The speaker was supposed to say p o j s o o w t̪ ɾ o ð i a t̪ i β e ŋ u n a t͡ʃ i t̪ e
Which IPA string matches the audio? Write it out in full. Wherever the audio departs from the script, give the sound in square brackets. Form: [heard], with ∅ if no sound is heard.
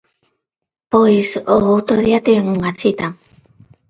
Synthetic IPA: p o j s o o w t̪ ɾ o ð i a t̪ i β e ŋ u [ŋ] a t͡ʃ i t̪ [a]